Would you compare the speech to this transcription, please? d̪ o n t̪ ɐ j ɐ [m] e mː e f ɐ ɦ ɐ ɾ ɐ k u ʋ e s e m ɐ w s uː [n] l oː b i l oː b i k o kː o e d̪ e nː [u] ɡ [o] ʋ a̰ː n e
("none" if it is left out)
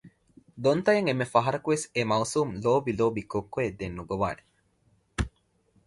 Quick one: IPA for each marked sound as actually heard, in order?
ŋ, m, u, o

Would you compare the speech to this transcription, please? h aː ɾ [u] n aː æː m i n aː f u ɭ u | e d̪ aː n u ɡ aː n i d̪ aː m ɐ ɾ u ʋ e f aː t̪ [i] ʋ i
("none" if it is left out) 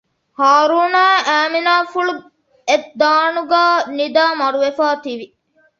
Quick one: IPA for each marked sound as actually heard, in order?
uː, i

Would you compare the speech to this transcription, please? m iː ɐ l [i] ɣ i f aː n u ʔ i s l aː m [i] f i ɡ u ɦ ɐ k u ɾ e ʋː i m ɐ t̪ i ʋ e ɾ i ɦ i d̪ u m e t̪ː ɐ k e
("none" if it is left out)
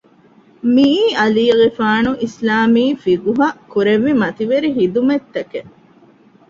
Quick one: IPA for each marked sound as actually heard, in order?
iː, iː

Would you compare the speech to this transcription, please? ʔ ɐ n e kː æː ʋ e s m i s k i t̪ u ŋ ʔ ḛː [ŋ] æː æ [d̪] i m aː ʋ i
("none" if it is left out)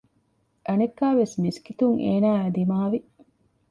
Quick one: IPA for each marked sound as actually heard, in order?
n, d̪

